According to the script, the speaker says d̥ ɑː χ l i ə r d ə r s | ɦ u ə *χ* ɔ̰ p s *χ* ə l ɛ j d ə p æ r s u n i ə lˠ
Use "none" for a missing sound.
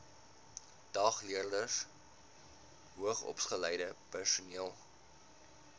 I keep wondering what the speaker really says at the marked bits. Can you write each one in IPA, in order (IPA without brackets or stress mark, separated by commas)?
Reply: χ, χ